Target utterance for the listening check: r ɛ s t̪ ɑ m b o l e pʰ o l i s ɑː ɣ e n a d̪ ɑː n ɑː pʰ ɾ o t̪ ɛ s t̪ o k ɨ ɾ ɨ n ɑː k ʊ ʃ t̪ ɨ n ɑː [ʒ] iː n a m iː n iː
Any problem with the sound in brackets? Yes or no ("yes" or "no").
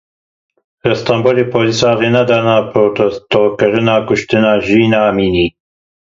no